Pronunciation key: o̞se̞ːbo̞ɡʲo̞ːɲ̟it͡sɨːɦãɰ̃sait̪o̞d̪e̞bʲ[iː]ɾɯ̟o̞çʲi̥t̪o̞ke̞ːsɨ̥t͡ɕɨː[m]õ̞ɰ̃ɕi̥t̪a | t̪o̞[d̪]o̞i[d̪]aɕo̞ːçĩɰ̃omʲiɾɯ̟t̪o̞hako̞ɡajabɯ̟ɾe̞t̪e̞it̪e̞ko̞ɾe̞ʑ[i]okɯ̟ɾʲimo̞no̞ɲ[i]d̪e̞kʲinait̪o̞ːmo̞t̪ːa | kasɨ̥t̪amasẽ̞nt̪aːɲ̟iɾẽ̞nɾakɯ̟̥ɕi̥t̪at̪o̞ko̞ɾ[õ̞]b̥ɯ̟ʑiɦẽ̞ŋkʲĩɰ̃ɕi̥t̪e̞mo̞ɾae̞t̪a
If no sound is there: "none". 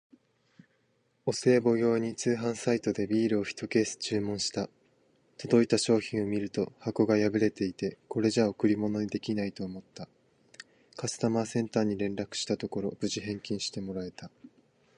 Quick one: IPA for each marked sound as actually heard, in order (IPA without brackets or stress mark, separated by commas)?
iː, m, d̪, t̪, a, i, o̞